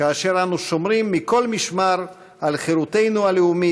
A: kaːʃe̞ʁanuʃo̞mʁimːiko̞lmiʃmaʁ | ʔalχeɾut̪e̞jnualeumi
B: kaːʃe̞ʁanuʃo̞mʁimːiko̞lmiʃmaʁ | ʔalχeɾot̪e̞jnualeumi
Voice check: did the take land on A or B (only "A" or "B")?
A